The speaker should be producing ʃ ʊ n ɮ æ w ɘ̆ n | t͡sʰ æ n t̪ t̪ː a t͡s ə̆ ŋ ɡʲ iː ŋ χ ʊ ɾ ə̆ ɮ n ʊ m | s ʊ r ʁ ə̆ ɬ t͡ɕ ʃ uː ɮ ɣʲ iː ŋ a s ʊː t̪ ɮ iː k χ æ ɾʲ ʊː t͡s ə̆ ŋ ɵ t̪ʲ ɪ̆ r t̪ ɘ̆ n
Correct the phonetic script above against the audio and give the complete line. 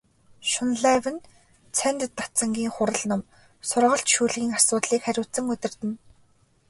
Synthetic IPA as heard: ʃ ʊ n ɮ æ w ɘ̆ n | t͡sʰ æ n t̪ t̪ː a t͡s ə̆ ŋ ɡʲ iː ŋ χ ʊ ɾ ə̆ ɮ n ʊ m | s ʊ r ʁ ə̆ ɬ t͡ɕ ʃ uː ɮ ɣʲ iː ŋ a s ʊː t̪ ɮ iː k χ æ ɾʲ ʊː t͡s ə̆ ŋ ɵ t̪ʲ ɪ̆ r t̪ ɘ̆ n